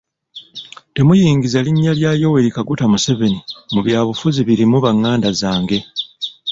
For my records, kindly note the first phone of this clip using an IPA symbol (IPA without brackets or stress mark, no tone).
t